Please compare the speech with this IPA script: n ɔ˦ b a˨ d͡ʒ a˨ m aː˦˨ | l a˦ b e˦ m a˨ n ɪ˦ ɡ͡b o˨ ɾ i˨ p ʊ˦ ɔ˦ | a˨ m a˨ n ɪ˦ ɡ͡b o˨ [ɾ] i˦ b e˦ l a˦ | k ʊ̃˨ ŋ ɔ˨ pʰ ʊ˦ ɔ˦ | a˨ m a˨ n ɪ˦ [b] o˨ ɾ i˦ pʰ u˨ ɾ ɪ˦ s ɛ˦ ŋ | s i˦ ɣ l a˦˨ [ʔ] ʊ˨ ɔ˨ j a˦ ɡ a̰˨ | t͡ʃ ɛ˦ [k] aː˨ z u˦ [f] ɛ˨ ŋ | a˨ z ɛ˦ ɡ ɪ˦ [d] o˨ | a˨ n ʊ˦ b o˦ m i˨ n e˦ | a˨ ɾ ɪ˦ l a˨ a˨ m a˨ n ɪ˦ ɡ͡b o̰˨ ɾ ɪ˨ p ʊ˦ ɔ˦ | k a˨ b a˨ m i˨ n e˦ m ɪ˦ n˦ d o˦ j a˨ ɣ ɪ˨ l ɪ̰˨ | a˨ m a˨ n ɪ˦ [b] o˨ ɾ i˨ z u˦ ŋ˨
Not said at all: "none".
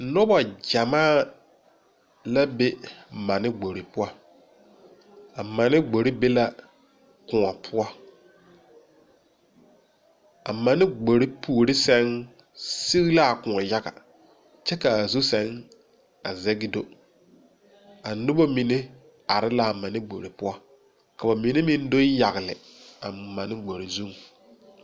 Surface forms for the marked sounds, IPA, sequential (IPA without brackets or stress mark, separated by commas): ɾ, ɡ͡b, k, k, s, d, ɡ͡b